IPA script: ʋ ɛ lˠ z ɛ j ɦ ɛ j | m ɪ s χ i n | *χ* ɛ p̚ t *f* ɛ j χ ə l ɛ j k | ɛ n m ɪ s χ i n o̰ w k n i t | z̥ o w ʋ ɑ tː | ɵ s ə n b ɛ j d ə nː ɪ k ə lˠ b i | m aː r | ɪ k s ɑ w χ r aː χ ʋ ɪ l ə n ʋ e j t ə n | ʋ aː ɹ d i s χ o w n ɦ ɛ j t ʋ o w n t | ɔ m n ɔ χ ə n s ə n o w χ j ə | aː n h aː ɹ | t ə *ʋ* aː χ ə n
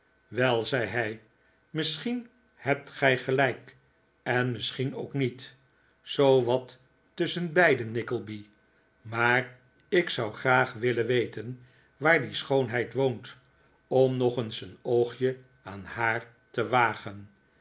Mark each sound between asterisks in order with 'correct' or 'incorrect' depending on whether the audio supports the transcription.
incorrect: h, incorrect: χ, correct

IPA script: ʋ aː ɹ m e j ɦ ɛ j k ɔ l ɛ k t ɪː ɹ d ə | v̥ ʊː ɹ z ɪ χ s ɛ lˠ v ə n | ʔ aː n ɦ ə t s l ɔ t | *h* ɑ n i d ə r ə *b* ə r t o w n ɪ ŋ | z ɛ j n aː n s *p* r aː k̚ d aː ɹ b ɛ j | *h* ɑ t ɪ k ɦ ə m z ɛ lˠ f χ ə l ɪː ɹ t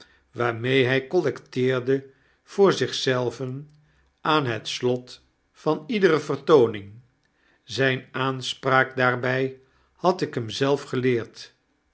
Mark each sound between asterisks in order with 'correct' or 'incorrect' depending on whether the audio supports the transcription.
incorrect: f, incorrect: v, correct, correct

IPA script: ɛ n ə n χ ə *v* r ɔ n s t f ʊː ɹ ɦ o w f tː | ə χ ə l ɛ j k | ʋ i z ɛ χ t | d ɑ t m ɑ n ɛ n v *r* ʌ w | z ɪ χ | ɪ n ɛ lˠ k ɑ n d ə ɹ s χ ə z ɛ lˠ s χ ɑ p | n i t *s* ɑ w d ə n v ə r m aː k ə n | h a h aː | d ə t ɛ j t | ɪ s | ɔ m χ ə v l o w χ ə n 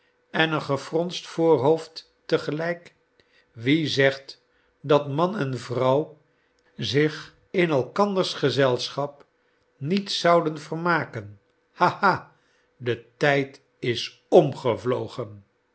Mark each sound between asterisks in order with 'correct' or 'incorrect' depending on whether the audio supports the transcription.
incorrect: f, correct, correct

